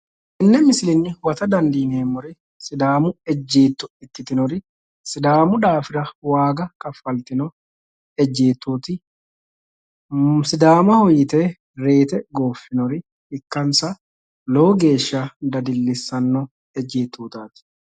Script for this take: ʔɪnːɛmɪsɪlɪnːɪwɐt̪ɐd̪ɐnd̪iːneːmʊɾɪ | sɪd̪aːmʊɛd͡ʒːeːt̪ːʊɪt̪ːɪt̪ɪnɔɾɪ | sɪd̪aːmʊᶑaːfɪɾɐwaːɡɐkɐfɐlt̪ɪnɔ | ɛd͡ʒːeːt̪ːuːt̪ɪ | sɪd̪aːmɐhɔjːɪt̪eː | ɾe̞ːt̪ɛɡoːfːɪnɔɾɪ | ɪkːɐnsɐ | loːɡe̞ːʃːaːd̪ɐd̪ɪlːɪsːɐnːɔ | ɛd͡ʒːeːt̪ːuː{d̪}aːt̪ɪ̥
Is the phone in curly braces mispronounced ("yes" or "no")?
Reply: yes